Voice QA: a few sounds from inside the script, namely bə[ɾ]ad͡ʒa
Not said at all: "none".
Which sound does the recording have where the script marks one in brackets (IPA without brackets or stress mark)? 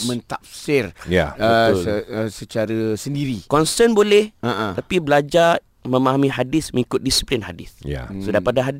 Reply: l